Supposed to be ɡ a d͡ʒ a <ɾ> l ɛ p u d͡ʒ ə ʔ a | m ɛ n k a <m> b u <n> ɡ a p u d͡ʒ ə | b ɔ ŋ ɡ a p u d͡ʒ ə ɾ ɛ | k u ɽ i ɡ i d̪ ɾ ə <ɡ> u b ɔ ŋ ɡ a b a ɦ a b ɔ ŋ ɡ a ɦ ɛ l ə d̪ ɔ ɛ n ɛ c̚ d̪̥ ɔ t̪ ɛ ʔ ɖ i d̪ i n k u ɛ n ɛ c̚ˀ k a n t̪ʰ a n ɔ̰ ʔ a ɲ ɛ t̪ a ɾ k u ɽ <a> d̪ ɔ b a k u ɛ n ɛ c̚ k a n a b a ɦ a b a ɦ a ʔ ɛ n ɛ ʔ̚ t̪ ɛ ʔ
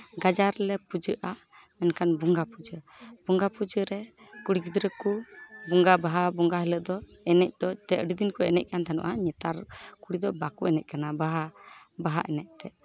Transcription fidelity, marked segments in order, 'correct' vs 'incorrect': correct, incorrect: n, incorrect: ŋ, incorrect: k, incorrect: i

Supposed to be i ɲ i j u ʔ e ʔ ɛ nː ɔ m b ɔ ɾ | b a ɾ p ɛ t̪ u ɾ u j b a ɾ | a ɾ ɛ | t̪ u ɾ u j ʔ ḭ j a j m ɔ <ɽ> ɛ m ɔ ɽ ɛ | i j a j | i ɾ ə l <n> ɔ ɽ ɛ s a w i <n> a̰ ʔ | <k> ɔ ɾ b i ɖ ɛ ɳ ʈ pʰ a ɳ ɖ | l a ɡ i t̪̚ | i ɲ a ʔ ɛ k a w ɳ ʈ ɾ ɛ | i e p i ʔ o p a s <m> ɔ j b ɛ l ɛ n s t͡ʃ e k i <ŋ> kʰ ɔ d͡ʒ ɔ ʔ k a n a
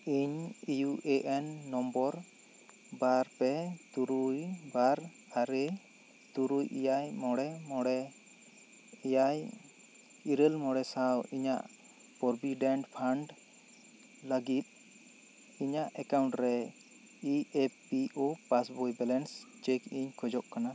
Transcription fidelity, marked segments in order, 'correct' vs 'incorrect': correct, incorrect: m, incorrect: ɲ, incorrect: p, incorrect: b, incorrect: ɲ

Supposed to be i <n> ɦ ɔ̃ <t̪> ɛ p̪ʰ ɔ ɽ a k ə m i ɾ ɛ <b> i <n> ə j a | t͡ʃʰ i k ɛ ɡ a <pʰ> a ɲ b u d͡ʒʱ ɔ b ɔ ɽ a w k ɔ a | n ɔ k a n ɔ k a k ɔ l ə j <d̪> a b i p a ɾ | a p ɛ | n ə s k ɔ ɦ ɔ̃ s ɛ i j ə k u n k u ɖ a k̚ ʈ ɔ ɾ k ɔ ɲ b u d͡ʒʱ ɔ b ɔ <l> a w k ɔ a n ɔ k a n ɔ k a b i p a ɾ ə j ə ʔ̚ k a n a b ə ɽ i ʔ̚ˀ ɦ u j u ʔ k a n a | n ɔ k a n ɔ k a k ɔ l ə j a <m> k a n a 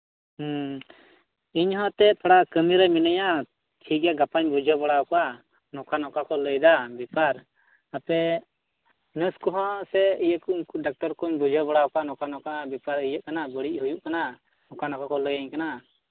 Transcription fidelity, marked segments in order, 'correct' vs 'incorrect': incorrect: ɲ, correct, incorrect: m, correct, incorrect: p, correct, incorrect: ɽ, incorrect: ɲ

